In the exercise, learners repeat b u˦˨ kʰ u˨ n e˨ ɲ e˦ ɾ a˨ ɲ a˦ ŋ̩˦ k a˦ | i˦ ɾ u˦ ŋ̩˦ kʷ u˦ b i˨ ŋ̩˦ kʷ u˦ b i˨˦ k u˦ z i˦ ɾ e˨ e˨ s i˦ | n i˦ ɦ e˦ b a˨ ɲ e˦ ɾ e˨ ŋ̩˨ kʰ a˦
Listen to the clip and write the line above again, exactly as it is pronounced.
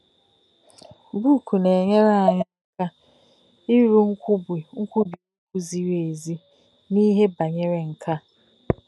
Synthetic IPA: b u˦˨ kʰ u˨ n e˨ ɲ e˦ ɾ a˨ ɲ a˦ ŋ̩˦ k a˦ | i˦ ɾ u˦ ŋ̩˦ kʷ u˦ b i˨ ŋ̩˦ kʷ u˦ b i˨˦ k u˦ z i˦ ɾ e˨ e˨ z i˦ | n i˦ ɦ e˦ b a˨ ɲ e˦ ɾ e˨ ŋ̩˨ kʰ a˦